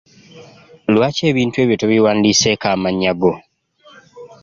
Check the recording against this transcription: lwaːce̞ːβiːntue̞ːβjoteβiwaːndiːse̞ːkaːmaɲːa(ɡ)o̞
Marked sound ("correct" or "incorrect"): correct